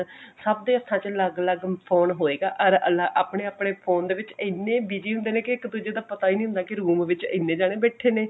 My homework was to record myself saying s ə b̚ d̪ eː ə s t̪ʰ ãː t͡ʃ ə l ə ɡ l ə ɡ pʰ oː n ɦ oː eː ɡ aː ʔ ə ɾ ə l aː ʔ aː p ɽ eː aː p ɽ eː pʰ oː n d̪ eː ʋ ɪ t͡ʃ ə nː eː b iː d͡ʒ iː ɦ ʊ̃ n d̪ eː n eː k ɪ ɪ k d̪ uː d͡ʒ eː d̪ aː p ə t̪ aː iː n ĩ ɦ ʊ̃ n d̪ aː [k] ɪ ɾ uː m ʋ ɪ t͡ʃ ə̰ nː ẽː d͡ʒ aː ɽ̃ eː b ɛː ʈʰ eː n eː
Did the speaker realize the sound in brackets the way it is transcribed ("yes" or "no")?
yes